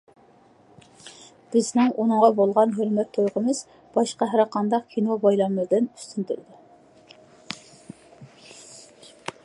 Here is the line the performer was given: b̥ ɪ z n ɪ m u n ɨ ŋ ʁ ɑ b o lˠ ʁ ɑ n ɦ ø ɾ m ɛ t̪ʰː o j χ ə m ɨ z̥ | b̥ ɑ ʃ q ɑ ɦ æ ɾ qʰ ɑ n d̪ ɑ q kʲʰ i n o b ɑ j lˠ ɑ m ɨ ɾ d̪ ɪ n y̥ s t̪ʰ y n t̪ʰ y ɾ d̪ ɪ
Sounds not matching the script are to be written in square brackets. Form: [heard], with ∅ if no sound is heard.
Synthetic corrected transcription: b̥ ɪ z n ɪ [ŋ] u n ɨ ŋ ʁ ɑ b o lˠ ʁ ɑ n ɦ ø ɾ m ɛ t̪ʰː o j [ʁ] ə m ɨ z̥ | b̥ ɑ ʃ q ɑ ɦ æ ɾ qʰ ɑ n d̪ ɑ q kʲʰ i n o b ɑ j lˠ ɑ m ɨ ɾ d̪ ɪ n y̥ s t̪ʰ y n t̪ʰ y ɾ d̪ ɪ